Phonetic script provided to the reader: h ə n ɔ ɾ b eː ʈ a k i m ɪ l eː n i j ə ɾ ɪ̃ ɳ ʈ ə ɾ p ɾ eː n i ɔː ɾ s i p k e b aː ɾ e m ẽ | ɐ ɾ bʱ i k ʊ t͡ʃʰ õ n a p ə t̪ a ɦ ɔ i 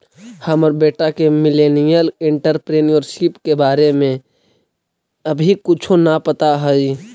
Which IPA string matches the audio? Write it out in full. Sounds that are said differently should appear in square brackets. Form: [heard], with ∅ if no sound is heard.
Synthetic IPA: h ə [m] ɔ ɾ b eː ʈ a k [e] m ɪ l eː n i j ə [l] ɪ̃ ɳ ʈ ə ɾ p ɾ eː n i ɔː ɾ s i p k e b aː ɾ e m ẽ | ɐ [∅] bʱ i k ʊ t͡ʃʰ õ n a p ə t̪ a ɦ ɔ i